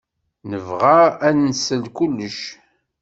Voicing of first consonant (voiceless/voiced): voiced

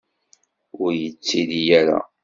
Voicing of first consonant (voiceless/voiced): voiced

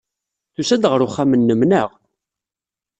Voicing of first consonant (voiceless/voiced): voiceless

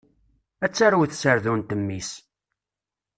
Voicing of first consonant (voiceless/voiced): voiceless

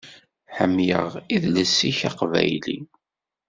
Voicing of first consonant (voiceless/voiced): voiceless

